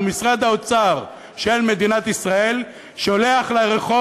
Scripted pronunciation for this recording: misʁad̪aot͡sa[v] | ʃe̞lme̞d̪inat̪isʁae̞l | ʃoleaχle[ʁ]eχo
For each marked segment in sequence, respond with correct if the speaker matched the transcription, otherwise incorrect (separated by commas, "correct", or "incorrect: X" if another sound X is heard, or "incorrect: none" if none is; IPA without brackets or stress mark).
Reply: incorrect: ʁ, correct